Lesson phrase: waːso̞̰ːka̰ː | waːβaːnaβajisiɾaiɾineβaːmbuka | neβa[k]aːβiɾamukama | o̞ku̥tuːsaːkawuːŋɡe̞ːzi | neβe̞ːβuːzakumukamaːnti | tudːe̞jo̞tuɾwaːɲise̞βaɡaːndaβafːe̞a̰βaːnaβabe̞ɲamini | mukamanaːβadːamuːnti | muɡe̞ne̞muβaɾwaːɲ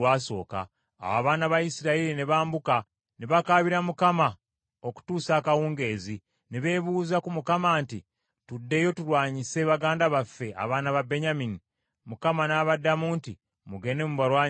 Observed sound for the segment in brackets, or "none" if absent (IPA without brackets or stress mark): k